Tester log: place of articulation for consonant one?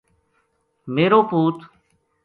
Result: labial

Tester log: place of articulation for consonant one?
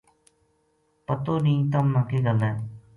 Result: labial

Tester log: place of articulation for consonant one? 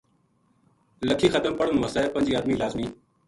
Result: alveolar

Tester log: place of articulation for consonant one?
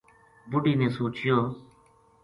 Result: labial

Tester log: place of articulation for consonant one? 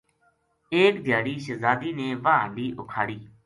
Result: velar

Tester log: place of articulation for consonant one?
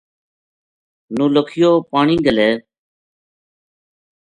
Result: alveolar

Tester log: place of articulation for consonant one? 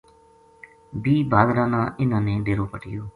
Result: labial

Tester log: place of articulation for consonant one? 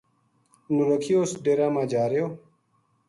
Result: alveolar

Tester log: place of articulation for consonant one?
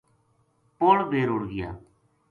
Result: labial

